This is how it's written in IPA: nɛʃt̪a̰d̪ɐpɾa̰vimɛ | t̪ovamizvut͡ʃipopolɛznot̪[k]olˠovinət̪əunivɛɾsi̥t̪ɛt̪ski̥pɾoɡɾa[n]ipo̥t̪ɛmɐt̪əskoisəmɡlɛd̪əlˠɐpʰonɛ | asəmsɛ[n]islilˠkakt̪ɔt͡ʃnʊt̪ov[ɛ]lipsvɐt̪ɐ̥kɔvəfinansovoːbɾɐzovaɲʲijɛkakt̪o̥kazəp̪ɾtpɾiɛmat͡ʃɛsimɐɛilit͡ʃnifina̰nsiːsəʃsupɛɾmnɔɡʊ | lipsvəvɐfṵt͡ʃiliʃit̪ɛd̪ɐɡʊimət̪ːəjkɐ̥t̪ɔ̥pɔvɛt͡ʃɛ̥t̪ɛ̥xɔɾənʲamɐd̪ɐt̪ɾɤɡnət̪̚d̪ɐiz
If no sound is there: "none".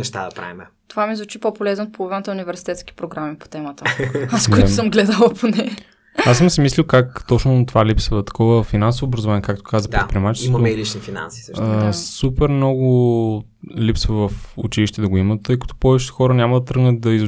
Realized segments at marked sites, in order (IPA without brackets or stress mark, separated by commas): p, m, m, a